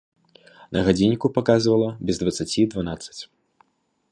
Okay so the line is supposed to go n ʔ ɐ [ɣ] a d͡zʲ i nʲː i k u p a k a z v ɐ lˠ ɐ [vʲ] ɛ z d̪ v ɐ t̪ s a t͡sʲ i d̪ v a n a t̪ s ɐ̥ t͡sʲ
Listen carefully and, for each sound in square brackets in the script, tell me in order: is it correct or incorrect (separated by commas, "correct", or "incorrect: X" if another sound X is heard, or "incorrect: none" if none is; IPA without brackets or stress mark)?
correct, incorrect: bʲ